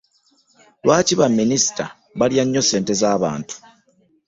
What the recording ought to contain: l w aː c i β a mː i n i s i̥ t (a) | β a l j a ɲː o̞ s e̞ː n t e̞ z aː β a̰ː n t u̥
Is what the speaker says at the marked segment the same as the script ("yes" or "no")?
yes